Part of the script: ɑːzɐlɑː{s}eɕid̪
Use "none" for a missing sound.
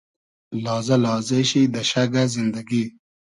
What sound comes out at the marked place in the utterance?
z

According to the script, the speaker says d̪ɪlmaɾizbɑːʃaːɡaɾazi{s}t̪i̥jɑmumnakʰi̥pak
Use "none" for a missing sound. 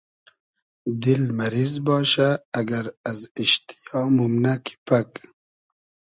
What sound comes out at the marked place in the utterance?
ʃ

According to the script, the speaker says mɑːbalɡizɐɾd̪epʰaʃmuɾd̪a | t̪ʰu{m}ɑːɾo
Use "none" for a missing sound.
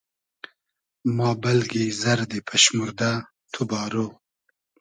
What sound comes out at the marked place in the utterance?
b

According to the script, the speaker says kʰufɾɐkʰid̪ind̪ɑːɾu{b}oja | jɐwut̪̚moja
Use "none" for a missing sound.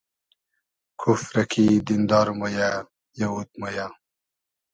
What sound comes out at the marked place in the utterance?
m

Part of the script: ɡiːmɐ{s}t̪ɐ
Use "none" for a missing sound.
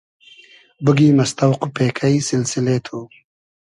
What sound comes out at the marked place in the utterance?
s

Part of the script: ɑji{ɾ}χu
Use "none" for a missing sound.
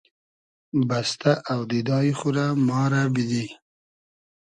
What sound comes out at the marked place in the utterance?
none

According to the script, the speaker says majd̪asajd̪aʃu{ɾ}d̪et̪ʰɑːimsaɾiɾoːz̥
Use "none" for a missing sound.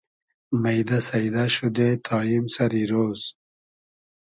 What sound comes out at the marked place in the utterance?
none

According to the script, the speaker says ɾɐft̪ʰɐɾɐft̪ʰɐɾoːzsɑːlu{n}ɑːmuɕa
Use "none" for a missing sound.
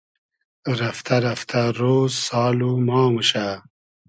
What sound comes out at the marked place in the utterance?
m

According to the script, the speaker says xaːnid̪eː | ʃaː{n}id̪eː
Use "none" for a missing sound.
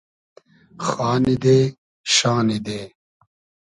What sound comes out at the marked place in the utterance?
n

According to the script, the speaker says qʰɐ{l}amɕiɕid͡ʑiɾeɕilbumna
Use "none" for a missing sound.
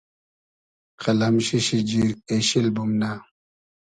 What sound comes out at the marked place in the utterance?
l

